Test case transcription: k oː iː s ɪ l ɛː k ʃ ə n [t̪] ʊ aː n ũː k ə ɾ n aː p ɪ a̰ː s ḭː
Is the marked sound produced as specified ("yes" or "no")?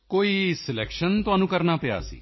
yes